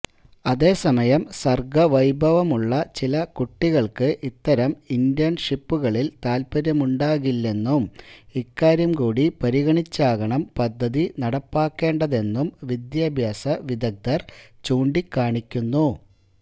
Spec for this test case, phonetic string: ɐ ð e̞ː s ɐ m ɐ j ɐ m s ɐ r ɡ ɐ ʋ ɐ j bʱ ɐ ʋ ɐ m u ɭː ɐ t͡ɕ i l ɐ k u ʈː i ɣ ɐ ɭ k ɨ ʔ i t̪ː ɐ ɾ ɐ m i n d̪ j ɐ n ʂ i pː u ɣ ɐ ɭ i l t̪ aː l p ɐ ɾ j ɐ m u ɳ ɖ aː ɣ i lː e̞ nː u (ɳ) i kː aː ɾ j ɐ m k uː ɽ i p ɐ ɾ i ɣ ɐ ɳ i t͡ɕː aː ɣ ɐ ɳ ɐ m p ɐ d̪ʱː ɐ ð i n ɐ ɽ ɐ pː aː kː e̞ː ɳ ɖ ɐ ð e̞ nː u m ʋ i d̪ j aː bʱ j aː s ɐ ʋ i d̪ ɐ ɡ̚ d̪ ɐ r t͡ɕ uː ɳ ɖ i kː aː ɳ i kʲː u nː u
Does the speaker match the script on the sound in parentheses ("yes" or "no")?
no